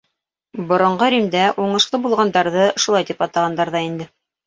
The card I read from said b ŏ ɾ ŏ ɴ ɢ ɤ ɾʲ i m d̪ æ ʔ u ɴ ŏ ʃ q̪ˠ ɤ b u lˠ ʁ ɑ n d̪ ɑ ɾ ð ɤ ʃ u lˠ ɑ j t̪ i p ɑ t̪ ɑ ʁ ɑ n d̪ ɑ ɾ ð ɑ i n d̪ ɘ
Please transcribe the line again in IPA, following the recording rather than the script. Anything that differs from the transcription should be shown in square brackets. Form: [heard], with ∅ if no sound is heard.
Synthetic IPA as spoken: b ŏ ɾ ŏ ɴ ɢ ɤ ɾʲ i m d̪ æ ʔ u ɴ [ɤ̆] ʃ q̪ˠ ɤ b u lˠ ʁ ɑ n d̪ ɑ ɾ ð ɤ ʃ u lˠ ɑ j t̪ i p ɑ t̪ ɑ ʁ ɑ n d̪ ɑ ɾ ð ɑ i n d̪ ɘ

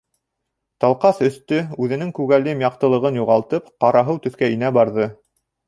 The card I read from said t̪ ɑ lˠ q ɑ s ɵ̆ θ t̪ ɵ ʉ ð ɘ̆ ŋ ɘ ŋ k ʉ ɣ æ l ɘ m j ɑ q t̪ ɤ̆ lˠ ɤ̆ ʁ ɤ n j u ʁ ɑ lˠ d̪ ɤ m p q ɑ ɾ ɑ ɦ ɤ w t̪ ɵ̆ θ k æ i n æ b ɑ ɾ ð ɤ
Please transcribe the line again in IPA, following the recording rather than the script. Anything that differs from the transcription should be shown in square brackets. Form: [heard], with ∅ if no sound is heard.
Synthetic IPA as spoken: t̪ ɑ lˠ q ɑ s ɵ̆ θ t̪ ɵ ʉ ð ɘ̆ [n] ɘ ŋ k ʉ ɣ æ l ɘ m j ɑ q t̪ ɤ̆ lˠ ɤ̆ ʁ ɤ n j u ʁ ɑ lˠ [t̪] ɤ [∅] p q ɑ ɾ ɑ ɦ ɤ w t̪ ɵ̆ θ k æ i n æ b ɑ ɾ ð ɤ

